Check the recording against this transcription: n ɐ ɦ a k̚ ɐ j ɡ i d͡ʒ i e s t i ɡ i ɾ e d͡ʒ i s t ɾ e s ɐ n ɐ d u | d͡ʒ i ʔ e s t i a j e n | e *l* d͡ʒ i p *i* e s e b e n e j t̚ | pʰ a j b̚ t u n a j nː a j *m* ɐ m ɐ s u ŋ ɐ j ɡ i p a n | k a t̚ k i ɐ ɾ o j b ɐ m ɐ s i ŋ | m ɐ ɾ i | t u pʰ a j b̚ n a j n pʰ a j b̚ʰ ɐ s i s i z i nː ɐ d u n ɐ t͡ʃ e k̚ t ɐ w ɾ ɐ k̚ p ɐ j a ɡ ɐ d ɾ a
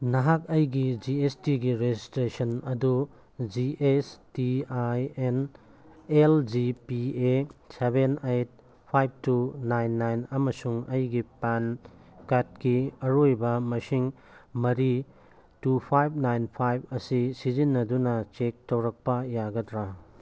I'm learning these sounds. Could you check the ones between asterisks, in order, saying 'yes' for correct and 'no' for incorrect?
yes, yes, no

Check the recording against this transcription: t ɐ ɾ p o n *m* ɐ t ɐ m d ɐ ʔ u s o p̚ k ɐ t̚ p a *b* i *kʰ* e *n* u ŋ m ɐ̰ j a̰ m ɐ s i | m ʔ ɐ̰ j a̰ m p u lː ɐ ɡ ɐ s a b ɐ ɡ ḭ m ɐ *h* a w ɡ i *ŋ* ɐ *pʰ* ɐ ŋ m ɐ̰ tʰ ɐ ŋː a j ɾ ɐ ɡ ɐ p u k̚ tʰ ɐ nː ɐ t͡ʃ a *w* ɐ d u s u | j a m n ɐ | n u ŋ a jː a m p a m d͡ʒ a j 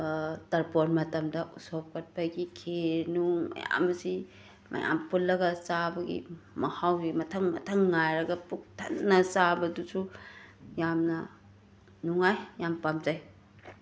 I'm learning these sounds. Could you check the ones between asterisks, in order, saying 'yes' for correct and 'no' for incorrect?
yes, no, yes, yes, yes, no, no, no

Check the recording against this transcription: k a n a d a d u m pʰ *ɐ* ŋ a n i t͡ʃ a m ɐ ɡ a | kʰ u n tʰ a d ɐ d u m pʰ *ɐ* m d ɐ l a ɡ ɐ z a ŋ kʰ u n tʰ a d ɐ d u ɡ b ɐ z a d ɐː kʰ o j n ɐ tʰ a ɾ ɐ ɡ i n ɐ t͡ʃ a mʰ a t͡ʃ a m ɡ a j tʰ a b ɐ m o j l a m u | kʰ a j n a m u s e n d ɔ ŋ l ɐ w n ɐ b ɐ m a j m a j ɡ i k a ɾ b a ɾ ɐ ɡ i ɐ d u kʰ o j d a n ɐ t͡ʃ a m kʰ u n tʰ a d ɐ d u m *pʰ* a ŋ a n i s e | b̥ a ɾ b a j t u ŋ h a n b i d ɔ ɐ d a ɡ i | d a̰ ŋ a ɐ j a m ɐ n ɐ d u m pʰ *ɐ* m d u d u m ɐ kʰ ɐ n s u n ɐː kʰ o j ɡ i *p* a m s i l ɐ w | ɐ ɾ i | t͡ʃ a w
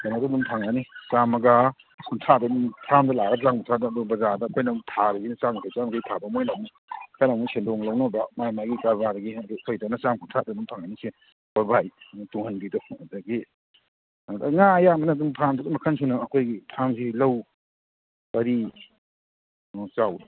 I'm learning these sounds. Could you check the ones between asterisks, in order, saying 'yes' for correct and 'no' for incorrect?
no, no, yes, no, no

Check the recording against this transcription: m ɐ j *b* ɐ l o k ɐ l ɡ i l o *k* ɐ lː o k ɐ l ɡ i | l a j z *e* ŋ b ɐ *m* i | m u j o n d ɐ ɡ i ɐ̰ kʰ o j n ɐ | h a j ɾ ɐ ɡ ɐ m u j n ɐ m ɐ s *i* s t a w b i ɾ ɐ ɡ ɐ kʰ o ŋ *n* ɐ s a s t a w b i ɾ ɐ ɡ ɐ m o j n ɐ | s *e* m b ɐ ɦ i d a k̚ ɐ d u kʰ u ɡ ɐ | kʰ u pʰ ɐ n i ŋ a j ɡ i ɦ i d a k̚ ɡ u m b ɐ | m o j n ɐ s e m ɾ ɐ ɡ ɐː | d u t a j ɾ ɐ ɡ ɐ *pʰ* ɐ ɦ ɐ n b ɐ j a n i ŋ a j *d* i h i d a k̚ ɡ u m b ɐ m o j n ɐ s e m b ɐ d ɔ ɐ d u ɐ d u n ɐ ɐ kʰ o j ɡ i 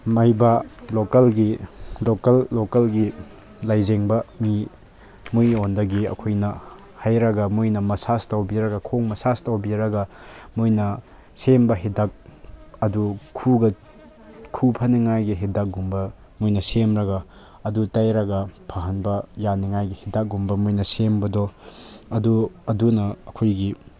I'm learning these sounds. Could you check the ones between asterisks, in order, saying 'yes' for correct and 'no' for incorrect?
yes, yes, yes, yes, no, no, yes, yes, no

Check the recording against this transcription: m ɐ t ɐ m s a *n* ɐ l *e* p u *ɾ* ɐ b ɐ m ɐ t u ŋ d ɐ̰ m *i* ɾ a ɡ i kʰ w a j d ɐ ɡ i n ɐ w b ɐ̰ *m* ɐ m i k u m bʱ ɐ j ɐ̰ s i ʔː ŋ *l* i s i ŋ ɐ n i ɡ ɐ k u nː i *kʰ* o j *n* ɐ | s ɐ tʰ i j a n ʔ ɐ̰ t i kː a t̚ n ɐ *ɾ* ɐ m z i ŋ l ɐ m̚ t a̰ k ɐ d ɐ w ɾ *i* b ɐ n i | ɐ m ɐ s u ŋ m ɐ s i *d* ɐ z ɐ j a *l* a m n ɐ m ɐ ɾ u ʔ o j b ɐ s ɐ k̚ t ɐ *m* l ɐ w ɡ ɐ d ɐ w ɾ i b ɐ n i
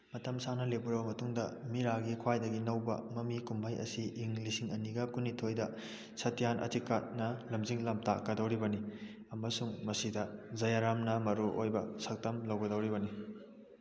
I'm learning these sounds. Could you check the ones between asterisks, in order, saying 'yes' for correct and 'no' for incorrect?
yes, yes, yes, yes, yes, yes, no, no, no, yes, yes, no, yes

